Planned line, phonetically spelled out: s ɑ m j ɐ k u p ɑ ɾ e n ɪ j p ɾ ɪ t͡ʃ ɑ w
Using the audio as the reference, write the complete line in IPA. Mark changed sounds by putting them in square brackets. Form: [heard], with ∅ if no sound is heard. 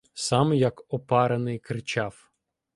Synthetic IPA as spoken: s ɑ m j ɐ k [ɔ] p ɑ ɾ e n ɪ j [k] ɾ ɪ t͡ʃ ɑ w

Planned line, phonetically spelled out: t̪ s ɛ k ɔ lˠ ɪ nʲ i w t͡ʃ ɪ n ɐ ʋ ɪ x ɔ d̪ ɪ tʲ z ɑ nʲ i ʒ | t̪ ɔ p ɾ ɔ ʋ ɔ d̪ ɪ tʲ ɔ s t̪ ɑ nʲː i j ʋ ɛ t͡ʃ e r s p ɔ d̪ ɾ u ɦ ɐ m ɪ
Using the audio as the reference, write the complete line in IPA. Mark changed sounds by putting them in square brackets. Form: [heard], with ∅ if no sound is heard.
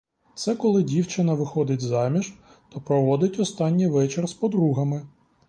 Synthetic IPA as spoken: t̪ s ɛ k ɔ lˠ ɪ [dʲ] i w t͡ʃ ɪ n ɐ ʋ ɪ x ɔ d̪ ɪ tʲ z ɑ [mʲ] i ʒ | t̪ ɔ p ɾ ɔ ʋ ɔ d̪ ɪ tʲ ɔ s t̪ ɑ nʲː i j ʋ ɛ t͡ʃ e r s p ɔ d̪ ɾ u ɦ ɐ m ɪ

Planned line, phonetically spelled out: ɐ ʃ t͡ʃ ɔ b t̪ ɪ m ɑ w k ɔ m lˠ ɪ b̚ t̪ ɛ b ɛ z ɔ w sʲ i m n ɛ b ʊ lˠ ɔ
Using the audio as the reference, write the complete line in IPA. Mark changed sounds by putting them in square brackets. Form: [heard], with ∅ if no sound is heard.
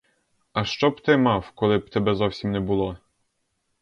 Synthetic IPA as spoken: ɐ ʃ t͡ʃ ɔ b t̪ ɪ m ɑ w k ɔ [∅] lˠ ɪ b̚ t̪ ɛ b ɛ z ɔ w sʲ i m n ɛ b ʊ lˠ ɔ

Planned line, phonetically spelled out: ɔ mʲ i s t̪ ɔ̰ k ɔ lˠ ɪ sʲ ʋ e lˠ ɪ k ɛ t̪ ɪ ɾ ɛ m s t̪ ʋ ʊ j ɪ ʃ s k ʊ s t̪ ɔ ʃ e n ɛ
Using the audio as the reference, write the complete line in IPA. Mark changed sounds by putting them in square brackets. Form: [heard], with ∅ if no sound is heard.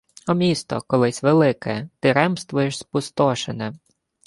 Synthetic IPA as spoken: ɔ mʲ i s t̪ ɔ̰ k ɔ lˠ ɪ sʲ ʋ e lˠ ɪ k ɛ t̪ ɪ ɾ ɛ m s t̪ ʋ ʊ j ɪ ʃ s [p] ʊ s t̪ ɔ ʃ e n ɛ

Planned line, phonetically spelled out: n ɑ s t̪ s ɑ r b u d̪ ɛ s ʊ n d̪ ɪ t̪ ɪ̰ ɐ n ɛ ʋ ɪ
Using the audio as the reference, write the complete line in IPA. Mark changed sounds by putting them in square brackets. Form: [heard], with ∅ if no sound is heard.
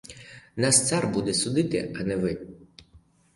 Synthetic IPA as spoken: n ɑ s t̪ s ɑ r b u d̪ ɛ s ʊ [∅] d̪ ɪ t̪ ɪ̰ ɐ n ɛ ʋ ɪ

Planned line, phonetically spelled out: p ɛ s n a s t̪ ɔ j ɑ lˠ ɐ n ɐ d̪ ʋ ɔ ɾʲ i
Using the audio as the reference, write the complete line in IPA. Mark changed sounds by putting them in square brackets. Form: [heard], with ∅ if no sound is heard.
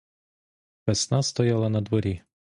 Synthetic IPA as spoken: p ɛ s n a s t̪ ɔ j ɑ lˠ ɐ n ɐ d̪ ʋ ɔ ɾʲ i

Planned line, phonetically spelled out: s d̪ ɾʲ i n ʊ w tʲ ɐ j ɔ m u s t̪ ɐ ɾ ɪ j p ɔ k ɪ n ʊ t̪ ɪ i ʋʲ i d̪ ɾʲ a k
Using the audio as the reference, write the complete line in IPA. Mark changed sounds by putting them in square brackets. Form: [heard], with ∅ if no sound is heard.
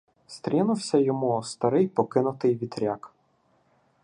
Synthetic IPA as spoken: s [t̪] ɾʲ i n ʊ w [sʲ] ɐ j ɔ m u s t̪ ɐ ɾ ɪ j p ɔ k ɪ n ʊ t̪ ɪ [j] ʋʲ i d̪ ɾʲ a k

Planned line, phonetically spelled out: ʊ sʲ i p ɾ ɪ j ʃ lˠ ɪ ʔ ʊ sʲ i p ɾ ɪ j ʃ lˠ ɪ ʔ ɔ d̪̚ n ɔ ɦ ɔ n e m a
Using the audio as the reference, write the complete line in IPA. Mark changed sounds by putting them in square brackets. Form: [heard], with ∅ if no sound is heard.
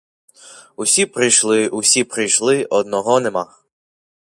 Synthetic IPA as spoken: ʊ sʲ i p ɾ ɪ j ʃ lˠ ɪ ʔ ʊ sʲ i p ɾ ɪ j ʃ lˠ ɪ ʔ ɔ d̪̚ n ɔ ɦ ɔ n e m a

